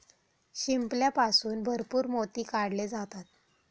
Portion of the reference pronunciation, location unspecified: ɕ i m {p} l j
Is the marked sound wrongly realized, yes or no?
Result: no